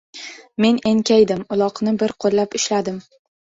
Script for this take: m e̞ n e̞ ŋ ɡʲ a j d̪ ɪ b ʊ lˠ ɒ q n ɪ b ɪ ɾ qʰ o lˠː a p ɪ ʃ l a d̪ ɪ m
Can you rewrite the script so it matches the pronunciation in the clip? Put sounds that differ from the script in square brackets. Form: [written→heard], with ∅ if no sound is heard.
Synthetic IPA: m e̞ n e̞ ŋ [ɡʲ→kʲ] a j d̪ ɪ [b→m] ʊ lˠ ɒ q n ɪ b ɪ ɾ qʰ o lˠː a p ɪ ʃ l a d̪ ɪ m

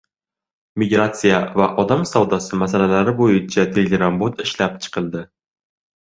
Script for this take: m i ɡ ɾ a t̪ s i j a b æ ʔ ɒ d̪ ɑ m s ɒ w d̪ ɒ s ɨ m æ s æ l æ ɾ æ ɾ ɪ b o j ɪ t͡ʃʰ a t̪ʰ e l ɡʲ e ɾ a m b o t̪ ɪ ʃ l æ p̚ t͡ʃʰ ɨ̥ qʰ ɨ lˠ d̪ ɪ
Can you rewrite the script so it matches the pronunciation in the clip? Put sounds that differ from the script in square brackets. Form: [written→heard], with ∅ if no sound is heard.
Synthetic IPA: m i ɡ ɾ a t̪ s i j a [b→v] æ ʔ ɒ d̪ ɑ m s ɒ w d̪ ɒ s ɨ m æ s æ l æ [ɾ→l] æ ɾ ɪ b o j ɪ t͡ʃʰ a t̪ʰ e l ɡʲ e ɾ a m b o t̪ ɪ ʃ l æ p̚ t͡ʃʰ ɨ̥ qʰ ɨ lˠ d̪ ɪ

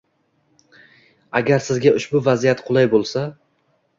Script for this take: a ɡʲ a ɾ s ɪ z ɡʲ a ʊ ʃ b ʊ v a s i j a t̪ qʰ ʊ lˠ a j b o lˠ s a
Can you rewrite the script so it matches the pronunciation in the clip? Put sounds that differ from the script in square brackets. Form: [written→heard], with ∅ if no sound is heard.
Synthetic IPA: a ɡʲ a ɾ s ɪ z ɡʲ a ʊ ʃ b ʊ v a [s→z] i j a t̪ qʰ ʊ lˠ a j b o lˠ s a

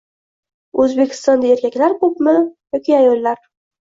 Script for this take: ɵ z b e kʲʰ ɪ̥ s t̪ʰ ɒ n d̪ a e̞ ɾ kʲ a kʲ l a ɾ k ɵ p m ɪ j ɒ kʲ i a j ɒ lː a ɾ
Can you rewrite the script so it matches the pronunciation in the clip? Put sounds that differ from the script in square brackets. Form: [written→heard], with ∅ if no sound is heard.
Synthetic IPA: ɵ z b e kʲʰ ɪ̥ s [t̪ʰ→t̪] ɒ n d̪ a e̞ ɾ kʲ a kʲ l a ɾ k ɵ p m ɪ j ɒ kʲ i a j ɒ lː a ɾ

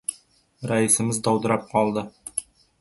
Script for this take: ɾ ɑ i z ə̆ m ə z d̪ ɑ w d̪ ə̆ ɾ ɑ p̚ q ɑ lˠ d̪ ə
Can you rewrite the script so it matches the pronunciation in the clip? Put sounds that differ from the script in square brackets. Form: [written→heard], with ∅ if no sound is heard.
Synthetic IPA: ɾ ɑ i [z→s] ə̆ m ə z d̪ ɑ w d̪ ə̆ ɾ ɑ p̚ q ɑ lˠ d̪ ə

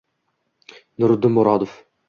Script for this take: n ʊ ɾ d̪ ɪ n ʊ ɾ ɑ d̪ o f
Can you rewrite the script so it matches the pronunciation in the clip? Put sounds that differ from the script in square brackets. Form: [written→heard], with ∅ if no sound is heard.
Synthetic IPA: n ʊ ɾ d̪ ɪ [n→m] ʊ ɾ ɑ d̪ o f

